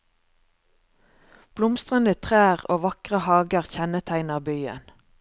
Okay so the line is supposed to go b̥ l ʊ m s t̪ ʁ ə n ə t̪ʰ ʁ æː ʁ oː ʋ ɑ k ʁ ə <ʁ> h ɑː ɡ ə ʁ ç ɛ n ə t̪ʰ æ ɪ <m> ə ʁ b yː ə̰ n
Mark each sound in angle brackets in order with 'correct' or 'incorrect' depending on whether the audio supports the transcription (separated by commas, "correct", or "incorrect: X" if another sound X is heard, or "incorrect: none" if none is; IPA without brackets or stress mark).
incorrect: none, incorrect: n